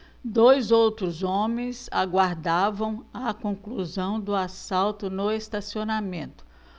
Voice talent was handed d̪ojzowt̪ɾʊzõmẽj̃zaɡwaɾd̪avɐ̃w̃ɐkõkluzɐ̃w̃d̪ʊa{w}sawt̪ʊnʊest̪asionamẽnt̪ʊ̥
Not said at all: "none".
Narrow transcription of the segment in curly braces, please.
none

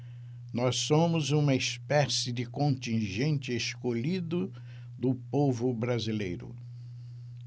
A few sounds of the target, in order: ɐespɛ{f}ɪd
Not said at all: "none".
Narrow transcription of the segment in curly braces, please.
s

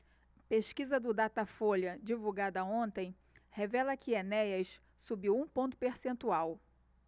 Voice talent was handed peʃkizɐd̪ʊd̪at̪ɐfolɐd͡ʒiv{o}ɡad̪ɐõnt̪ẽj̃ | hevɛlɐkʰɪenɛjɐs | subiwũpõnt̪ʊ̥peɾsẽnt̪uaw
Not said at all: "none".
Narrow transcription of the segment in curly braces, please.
u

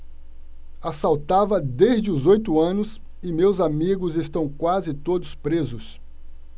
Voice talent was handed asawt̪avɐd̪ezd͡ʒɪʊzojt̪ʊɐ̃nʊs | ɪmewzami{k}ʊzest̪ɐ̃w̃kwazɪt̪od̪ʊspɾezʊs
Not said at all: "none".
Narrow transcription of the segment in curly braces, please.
ɡ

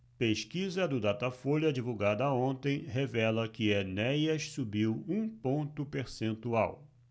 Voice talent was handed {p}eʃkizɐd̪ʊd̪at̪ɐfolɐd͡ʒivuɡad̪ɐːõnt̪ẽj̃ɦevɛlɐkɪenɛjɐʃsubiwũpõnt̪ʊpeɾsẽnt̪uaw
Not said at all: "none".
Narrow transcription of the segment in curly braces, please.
p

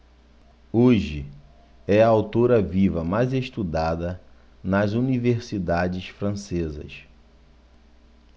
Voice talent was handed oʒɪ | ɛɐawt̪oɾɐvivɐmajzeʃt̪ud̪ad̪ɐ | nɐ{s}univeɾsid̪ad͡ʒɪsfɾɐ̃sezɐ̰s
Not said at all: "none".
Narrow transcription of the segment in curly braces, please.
z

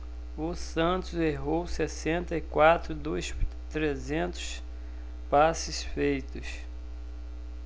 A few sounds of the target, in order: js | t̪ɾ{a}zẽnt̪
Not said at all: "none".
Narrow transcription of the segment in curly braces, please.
e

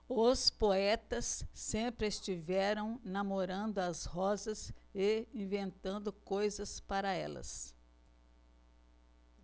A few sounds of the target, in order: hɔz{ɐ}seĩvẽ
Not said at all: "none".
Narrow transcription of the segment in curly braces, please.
ɐ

